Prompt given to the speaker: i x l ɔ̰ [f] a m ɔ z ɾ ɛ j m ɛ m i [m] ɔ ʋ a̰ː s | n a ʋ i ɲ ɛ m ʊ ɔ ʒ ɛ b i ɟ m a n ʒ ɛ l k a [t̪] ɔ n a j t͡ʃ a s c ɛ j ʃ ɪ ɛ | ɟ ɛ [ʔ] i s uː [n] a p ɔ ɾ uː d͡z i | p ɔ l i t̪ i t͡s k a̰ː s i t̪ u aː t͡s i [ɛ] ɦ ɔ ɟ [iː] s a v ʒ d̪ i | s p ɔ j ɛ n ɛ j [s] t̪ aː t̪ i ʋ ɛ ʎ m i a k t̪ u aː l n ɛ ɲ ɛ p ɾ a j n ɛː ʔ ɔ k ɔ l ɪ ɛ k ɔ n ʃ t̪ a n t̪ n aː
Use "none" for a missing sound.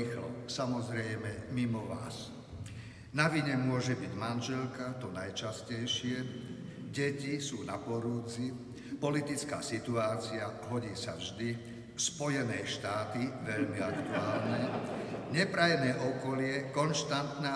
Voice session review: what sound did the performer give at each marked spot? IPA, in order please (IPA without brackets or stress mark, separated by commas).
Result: s, m, t̪, c, n, a, iː, ʃ